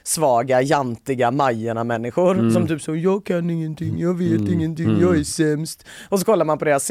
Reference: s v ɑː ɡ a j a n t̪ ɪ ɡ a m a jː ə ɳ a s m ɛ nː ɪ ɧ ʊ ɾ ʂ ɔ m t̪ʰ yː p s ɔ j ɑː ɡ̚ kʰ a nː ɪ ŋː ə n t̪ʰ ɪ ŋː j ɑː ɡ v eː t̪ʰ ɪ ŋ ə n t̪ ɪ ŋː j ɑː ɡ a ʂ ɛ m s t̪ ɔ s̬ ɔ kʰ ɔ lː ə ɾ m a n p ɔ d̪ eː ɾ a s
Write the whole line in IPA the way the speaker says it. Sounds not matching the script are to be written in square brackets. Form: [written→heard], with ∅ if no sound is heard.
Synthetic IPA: s v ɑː ɡ a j a n t̪ ɪ ɡ a m a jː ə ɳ a [s→∅] m ɛ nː ɪ ɧ ʊ ɾ [ʂ→s] ɔ m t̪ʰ yː p s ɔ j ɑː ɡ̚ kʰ a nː ɪ ŋː ə n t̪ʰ ɪ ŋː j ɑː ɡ v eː [t̪ʰ→t̪] ɪ [ŋ→ŋː] ə n t̪ ɪ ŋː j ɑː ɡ [a→æ] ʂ ɛ m s t̪ ɔ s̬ ɔ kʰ ɔ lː [ə→a] ɾ m a n p ɔ d̪ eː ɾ a s